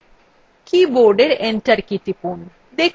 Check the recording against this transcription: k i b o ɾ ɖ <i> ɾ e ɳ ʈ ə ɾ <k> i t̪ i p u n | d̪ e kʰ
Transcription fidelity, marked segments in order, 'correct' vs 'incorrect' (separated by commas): incorrect, correct